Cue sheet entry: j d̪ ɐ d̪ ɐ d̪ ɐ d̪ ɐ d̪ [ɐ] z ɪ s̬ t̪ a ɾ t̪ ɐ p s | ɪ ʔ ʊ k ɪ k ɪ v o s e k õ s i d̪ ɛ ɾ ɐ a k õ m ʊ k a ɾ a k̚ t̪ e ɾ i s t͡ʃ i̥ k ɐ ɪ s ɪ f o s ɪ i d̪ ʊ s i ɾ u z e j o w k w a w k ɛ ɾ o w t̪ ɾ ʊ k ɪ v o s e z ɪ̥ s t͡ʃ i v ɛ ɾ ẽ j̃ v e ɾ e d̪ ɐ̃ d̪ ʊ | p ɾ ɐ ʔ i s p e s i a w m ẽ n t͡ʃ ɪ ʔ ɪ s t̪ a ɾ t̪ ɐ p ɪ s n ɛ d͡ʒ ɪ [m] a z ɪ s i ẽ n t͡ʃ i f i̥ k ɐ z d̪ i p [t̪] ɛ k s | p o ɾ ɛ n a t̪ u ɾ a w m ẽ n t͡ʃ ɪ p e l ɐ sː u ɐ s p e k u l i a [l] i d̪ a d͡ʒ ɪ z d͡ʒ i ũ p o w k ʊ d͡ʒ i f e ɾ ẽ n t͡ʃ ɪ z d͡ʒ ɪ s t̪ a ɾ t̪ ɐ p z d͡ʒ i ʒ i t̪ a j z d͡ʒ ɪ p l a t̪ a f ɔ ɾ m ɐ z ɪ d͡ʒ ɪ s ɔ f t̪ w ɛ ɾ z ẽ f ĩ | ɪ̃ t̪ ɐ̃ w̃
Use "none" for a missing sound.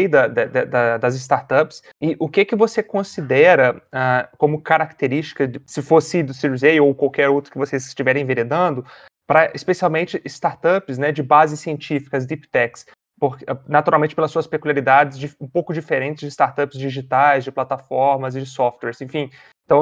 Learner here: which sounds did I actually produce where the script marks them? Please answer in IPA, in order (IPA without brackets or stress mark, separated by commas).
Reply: ɐ, b, t̪, ɾ